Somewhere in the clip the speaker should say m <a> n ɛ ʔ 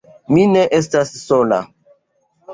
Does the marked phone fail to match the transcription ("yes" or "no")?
yes